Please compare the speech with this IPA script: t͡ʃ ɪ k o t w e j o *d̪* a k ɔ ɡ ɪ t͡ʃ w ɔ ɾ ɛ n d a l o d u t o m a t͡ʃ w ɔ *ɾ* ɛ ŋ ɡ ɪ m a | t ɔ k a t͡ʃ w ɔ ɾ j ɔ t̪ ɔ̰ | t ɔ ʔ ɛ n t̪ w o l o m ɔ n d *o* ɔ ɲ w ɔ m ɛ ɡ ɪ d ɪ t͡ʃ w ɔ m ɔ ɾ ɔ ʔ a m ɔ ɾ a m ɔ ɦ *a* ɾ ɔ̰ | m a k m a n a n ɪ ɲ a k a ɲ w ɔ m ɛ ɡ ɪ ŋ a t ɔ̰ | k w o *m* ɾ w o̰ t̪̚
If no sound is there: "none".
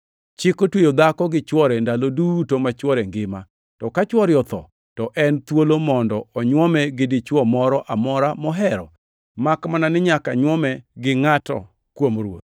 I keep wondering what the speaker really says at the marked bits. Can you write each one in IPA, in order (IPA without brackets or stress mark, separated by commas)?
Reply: d̪, ɾ, ɔ, ɛ, m